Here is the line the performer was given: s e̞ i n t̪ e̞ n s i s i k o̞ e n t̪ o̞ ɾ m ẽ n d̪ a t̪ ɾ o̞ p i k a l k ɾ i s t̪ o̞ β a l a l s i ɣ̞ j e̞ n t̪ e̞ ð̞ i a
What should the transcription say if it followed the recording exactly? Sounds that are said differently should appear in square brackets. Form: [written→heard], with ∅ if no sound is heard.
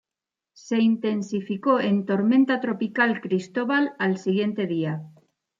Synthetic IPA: s e̞ i n t̪ e̞ n s i [s→f] i k o̞ e n t̪ o̞ ɾ m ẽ n [d̪→t̪] a t̪ ɾ o̞ p i k a l k ɾ i s t̪ o̞ β a l a l s i ɣ̞ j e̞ n t̪ e̞ ð̞ i a